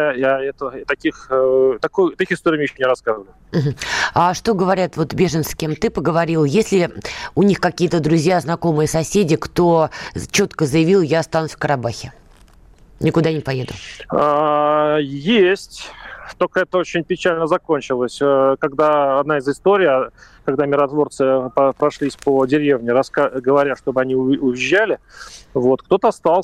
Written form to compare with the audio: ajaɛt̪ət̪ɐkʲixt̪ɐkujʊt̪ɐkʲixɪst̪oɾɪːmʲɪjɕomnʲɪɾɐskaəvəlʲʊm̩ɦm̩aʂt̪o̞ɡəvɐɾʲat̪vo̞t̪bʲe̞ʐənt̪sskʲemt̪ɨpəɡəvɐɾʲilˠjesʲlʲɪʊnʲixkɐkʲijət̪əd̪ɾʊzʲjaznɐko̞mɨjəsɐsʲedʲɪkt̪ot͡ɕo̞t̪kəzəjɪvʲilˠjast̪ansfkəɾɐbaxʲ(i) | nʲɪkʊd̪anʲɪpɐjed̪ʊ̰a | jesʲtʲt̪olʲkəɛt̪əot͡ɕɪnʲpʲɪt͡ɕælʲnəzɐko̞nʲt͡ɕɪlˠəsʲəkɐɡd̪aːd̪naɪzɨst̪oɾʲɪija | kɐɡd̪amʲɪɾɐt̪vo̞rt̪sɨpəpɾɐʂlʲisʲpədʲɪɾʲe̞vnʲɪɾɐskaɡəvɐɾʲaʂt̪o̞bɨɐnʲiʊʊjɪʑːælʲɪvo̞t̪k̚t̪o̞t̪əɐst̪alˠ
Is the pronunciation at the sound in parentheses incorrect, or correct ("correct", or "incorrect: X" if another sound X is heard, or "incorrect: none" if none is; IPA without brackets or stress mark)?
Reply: incorrect: ɪ